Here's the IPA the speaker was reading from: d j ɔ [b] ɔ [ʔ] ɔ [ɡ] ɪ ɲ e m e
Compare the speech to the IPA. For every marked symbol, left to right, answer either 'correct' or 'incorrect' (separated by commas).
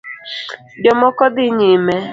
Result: incorrect, incorrect, incorrect